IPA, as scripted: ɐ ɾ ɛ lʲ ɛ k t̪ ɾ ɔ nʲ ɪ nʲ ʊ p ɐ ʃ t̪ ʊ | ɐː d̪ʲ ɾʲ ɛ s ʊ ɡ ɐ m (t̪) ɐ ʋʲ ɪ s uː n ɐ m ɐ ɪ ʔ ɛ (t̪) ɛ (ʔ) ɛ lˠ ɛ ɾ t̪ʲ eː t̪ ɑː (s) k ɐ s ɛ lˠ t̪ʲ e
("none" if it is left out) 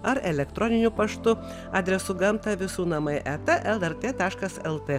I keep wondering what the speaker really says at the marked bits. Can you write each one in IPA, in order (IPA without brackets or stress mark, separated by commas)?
t̪, t̪, ʔ, ʃ